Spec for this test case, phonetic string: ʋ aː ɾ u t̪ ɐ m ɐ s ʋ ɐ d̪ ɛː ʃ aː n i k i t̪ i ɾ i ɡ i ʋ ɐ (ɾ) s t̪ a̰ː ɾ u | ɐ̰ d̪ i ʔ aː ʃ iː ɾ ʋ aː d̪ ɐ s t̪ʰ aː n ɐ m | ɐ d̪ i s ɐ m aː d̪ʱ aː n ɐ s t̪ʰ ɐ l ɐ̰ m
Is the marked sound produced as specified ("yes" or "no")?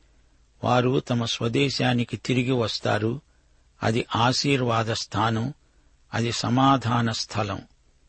no